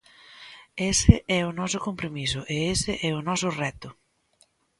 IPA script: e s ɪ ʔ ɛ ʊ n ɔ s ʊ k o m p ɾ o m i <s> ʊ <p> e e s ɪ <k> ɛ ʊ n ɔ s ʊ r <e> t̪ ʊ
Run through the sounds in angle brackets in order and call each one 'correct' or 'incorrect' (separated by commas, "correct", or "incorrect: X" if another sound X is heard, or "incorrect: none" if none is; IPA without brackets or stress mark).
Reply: correct, incorrect: ʔ, incorrect: ʔ, incorrect: ɛ